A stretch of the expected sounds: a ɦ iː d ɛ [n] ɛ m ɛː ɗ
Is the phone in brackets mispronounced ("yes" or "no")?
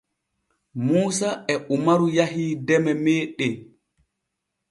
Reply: yes